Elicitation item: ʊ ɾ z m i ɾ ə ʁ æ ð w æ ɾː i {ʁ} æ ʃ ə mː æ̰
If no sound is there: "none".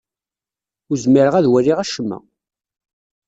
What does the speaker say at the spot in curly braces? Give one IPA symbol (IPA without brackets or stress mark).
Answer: ʁ